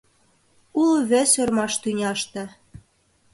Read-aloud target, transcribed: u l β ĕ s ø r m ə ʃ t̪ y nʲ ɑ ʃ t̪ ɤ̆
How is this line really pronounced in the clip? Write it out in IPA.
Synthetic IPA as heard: u l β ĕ s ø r m ɑ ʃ t̪ y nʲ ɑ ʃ t̪ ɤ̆